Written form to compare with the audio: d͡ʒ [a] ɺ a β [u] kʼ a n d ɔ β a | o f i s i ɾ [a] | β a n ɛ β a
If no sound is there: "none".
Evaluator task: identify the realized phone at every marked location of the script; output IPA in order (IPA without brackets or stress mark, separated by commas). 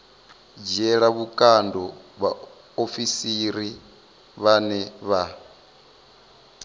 ɛ, u, i